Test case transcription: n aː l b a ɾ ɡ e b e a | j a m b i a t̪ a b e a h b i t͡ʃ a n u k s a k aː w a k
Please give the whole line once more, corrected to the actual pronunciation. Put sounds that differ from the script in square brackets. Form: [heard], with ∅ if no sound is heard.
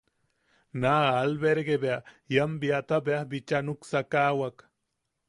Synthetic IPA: n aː l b [e] ɾ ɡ e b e a | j a m b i a t̪ a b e a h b i t͡ʃ a n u k s a k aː w a k

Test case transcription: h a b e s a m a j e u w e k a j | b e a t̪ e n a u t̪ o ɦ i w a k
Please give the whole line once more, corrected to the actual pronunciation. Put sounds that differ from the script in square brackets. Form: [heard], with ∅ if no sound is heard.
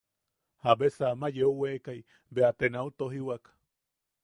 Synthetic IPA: h a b e s a m a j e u w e k a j | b e a t̪ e n a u t̪ o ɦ i w a k

